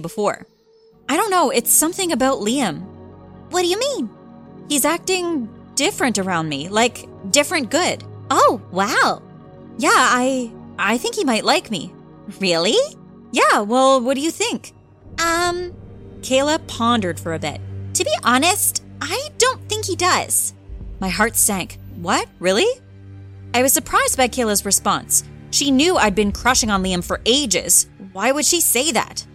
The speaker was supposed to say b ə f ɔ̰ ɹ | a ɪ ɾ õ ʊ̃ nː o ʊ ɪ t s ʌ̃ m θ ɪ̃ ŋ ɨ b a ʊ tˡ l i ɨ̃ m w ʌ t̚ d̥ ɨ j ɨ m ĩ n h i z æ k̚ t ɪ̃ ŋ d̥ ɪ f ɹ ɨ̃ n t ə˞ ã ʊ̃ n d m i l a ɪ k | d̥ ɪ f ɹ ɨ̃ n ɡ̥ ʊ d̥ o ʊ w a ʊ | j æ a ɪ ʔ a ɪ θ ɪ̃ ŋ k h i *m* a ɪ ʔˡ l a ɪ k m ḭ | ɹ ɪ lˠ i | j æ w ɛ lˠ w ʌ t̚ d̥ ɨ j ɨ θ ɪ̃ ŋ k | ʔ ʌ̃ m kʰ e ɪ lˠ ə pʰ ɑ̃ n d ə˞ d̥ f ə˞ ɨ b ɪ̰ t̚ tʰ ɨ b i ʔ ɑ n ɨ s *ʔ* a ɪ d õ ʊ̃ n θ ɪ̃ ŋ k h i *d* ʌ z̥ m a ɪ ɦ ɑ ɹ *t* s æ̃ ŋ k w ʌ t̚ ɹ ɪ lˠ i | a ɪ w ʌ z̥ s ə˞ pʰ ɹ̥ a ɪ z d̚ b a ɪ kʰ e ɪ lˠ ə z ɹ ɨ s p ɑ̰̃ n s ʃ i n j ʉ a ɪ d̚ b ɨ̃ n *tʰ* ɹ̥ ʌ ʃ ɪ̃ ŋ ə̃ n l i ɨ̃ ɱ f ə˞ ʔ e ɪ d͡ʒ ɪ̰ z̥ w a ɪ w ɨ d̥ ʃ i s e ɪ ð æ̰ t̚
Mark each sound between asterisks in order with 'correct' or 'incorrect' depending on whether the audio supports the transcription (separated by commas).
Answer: correct, incorrect, correct, correct, incorrect